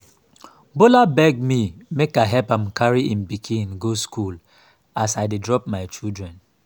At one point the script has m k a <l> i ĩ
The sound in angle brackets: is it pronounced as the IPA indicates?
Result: no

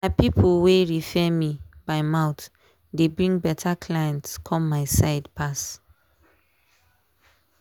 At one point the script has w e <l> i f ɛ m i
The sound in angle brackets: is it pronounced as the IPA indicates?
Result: no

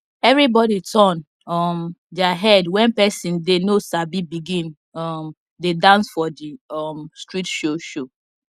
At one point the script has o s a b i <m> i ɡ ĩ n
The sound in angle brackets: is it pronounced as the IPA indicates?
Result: no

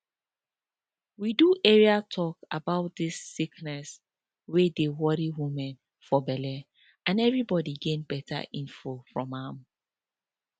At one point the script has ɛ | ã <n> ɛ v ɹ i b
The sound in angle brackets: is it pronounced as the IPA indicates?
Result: yes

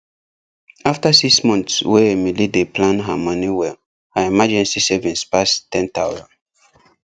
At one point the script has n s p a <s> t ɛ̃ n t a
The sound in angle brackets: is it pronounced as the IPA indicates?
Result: yes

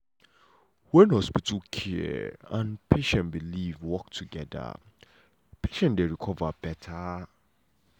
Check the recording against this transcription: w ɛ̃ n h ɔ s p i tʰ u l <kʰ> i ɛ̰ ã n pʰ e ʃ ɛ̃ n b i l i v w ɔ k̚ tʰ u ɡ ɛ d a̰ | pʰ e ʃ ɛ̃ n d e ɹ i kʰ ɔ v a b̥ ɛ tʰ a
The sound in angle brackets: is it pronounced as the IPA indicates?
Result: yes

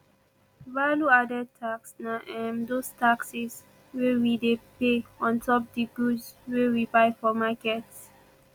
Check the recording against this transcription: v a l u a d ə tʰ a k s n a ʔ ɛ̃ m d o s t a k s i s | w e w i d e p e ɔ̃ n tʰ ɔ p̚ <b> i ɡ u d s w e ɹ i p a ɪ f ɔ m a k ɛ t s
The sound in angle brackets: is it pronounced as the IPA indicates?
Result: no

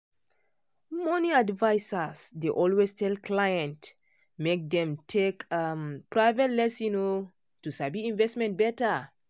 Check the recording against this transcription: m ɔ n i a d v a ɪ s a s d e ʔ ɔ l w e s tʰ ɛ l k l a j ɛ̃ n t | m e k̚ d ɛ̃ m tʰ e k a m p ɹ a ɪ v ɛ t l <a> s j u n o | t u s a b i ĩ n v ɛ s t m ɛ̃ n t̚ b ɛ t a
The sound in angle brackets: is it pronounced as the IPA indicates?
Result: no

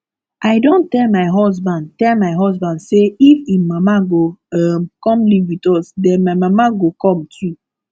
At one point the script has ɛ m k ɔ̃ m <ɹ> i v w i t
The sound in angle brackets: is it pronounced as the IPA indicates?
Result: no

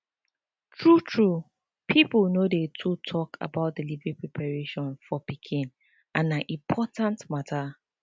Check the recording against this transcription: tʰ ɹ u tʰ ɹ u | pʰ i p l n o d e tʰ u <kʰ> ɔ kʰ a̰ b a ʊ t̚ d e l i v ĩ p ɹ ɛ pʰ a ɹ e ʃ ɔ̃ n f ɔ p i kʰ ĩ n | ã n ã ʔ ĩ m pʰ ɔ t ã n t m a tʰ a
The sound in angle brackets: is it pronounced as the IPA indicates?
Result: no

